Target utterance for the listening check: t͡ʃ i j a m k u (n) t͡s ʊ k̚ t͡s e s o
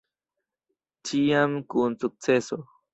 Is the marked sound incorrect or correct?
correct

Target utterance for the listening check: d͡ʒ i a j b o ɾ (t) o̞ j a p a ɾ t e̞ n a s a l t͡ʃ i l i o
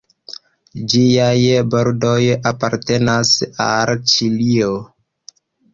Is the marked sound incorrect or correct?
incorrect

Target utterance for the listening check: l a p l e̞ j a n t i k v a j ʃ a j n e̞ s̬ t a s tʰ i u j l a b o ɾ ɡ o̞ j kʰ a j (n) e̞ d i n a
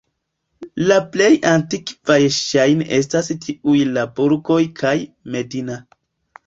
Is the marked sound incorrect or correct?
incorrect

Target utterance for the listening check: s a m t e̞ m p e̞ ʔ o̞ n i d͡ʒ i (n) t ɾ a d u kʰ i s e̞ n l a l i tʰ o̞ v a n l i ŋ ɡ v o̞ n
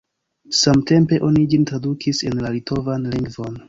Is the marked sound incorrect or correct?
correct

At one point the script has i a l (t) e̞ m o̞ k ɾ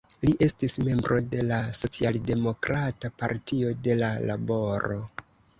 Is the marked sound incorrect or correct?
incorrect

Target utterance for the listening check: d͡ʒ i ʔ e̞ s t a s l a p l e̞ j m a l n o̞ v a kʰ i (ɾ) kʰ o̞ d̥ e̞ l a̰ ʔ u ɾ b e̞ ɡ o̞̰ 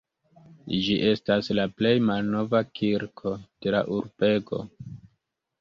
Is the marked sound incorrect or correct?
correct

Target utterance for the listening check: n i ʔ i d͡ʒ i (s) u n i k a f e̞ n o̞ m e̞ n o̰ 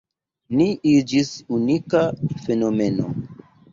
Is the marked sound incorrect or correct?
correct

